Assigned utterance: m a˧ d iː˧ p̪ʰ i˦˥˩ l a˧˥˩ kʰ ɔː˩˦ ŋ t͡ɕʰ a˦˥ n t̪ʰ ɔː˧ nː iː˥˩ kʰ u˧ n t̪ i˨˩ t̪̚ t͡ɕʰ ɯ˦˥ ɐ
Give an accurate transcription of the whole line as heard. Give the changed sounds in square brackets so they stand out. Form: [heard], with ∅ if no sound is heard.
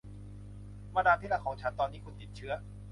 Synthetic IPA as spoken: m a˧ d [aː˧] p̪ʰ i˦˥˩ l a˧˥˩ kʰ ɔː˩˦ ŋ t͡ɕʰ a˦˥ n [t̪] ɔː˧ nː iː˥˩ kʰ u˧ n t̪ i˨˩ t̪̚ t͡ɕʰ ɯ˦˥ ɐ